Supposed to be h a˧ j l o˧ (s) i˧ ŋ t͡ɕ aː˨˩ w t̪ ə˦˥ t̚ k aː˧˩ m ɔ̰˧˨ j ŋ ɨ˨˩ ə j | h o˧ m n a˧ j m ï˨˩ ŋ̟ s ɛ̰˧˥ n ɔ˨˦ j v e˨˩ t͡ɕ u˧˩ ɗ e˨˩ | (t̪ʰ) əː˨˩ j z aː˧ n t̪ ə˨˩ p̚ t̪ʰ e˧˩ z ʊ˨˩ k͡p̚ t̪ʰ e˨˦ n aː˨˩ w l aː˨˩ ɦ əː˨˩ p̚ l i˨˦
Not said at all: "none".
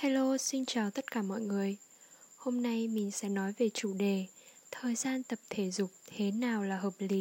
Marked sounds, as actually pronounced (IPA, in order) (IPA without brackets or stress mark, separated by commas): s, t̪ʰ